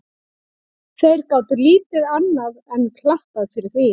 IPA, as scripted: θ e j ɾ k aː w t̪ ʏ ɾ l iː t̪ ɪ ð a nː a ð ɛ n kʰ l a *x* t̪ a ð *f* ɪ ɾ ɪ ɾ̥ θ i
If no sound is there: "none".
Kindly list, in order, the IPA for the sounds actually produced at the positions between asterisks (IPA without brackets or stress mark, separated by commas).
h, f